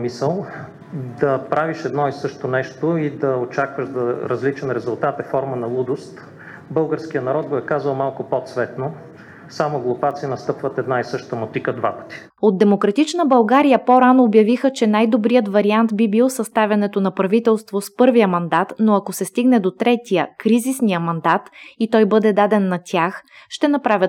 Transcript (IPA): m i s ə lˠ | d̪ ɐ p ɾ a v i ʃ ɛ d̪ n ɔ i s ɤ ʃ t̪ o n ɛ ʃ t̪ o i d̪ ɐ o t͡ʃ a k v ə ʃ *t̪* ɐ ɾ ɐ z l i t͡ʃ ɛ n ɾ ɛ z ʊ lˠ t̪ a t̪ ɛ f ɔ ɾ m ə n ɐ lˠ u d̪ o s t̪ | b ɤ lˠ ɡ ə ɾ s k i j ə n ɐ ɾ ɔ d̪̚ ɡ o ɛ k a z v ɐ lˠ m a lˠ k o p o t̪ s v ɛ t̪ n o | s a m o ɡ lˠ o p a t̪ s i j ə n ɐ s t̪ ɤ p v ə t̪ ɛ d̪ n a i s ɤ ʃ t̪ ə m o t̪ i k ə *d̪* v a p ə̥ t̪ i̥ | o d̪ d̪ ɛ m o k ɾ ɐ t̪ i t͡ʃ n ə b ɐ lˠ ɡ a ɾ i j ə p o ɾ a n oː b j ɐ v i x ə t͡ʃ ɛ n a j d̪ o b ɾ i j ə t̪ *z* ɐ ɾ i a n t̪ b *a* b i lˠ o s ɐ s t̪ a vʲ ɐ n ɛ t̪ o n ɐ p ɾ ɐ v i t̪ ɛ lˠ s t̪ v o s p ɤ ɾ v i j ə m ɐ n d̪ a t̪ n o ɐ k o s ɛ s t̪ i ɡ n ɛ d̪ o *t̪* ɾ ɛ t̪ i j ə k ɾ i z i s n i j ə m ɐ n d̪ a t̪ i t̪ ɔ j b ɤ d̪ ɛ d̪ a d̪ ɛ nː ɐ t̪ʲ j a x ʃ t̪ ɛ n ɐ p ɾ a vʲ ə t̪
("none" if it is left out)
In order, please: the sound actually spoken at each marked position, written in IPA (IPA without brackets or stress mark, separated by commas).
d̪, d̪, v, i, t̪